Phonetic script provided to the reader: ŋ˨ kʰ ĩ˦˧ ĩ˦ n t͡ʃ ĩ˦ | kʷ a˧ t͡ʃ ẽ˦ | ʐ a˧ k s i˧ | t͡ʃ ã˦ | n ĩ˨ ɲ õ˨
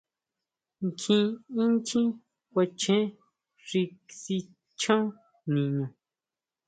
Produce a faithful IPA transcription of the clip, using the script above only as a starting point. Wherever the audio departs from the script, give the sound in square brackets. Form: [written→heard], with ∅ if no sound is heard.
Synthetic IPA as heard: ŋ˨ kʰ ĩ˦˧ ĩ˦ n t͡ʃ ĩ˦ | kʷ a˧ t͡ʃ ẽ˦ | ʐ [a˧→i˧] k s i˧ | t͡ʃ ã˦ | n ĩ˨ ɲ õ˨